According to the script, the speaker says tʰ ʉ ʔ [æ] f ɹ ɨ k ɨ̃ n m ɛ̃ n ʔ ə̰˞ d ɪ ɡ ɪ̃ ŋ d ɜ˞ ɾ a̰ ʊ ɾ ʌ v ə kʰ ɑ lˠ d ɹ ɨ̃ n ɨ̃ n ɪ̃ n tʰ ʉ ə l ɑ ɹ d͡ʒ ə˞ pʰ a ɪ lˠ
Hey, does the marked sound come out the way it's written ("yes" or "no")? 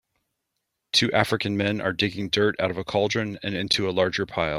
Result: yes